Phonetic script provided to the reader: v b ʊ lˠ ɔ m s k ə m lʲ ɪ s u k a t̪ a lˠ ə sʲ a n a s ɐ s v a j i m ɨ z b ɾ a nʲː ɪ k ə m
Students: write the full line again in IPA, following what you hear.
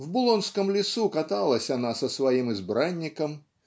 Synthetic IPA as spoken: v b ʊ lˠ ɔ n s k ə m lʲ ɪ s u k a t̪ a lˠ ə sʲ a n a s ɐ s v a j i m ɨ z b ɾ a nʲː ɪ k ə m